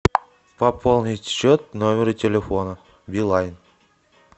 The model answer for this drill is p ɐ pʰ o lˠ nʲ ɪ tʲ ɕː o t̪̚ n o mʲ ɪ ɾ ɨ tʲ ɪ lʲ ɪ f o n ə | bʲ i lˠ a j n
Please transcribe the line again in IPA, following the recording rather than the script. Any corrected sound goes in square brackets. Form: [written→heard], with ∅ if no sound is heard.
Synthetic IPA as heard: p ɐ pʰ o lˠ nʲ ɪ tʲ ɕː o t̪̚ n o mʲ ɪ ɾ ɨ tʲ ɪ lʲ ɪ f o n ə | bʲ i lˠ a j n